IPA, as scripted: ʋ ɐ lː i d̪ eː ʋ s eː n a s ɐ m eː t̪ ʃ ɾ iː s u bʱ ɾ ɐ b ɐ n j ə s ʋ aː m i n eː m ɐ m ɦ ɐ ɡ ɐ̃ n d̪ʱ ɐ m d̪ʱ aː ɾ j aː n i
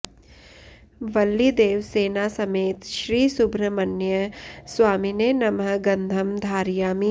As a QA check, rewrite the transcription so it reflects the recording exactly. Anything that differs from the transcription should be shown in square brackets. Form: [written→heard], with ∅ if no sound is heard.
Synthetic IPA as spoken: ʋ ɐ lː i d̪ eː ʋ s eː n a s ɐ m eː t̪ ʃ ɾ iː s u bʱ ɾ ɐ [b→m] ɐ n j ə s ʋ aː m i n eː [m→n] ɐ m ɦ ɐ ɡ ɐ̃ n d̪ʱ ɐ m d̪ʱ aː ɾ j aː [n→m] i